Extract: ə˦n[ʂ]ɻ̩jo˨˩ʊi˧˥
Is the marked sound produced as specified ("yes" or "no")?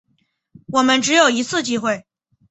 no